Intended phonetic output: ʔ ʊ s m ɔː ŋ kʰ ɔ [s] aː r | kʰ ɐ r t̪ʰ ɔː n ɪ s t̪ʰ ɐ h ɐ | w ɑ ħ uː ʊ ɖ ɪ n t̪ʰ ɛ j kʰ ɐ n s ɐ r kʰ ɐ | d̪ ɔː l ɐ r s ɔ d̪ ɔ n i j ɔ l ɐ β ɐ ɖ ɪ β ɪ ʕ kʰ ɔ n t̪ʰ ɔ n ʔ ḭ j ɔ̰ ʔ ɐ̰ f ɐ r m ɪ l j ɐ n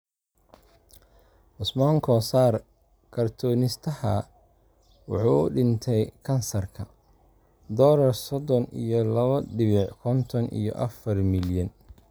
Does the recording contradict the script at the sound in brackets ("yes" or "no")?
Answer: no